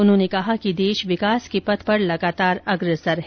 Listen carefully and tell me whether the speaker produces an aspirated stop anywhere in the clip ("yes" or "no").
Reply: no